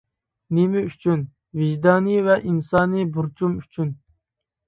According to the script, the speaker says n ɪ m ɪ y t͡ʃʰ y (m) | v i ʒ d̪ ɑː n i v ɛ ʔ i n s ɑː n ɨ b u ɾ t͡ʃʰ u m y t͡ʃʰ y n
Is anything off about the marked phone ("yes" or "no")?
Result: yes